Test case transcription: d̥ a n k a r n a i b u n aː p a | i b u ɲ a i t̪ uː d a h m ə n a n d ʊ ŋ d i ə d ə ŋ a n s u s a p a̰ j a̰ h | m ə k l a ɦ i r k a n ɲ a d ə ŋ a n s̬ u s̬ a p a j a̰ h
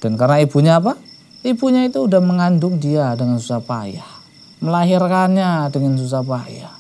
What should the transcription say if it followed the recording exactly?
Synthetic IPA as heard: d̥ a n k a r n a i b u ɲ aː p a | i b u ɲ a i t̪ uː d a h m ə ŋ a n d ʊ ŋ d i a d ə ŋ a n s u s a p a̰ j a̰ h | m ə l a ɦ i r k a n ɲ a d ə ŋ a n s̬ u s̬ a p a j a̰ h